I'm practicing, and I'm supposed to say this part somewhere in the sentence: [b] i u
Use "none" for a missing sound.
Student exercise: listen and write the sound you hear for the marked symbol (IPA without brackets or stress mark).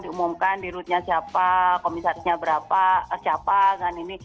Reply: d